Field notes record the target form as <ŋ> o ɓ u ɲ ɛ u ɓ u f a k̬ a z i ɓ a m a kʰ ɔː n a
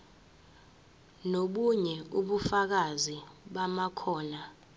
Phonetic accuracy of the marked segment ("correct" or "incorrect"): incorrect